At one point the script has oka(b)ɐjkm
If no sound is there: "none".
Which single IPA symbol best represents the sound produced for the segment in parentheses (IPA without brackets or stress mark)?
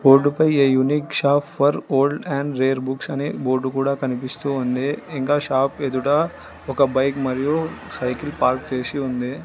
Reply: b